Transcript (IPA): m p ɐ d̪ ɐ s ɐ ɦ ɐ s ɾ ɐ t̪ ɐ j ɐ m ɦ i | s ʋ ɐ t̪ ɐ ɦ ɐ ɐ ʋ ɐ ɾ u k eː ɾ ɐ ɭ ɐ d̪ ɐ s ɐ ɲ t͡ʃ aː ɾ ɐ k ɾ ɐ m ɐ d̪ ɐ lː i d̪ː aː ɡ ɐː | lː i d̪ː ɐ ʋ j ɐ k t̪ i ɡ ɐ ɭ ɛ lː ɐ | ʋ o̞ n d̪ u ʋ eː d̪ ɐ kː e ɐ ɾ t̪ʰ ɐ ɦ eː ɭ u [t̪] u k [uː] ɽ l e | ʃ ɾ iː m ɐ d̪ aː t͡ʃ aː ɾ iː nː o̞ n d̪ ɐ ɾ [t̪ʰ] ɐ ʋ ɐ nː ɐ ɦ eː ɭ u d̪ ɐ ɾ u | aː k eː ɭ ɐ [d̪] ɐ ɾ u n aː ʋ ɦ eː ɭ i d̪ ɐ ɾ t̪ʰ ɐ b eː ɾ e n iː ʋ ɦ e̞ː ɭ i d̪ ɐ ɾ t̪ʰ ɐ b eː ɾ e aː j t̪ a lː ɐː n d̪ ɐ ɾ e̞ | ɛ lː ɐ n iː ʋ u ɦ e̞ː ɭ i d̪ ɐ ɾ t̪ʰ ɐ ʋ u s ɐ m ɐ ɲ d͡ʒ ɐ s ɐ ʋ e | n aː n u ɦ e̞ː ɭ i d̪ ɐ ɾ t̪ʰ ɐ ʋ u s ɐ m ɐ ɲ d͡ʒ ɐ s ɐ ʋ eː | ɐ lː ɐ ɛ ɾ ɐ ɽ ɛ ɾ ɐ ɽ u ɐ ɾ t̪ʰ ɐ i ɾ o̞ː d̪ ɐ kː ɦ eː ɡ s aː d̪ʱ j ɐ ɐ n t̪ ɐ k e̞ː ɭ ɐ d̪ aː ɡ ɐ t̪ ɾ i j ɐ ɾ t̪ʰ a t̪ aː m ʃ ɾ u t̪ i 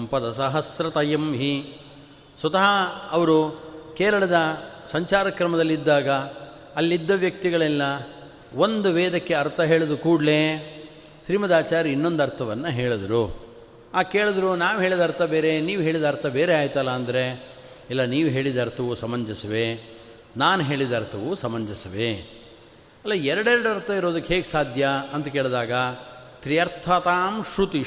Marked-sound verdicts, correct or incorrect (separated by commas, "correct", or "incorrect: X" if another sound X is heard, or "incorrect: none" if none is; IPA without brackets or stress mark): incorrect: d̪, correct, correct, correct